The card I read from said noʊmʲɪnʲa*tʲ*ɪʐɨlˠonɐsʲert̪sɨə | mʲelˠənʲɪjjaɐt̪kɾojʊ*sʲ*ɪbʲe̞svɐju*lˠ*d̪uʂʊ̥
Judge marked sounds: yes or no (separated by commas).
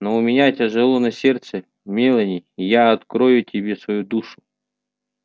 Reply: yes, no, no